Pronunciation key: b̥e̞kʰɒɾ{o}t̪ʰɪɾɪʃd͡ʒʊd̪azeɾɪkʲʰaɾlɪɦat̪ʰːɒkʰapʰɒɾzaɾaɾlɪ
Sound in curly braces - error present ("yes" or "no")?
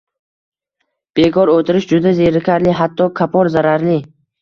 no